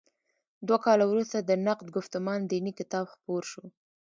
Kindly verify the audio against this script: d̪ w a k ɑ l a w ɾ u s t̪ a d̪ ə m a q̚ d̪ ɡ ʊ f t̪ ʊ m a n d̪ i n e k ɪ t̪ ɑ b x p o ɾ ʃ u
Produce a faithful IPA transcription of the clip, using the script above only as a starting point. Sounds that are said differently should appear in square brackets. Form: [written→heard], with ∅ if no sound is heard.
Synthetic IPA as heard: d̪ w a k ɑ l a w ɾ u s t̪ a d̪ ə [m→n] a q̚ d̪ ɡ ʊ f t̪ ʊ m [a→ɑ] n d̪ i n [e→i] k ɪ t̪ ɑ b x p o ɾ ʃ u